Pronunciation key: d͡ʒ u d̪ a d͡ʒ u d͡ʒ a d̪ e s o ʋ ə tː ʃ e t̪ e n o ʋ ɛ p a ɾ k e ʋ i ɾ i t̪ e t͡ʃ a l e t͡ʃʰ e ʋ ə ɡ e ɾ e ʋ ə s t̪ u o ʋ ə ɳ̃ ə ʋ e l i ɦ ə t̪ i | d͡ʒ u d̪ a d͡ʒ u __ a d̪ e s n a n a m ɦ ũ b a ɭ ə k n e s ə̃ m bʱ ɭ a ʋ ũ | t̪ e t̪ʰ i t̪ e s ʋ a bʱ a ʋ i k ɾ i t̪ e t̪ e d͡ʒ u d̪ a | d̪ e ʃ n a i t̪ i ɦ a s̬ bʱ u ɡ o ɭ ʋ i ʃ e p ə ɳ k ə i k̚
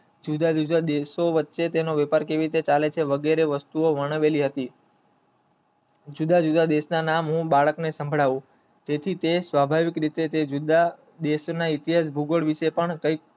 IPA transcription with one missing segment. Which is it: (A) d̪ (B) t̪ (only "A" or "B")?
A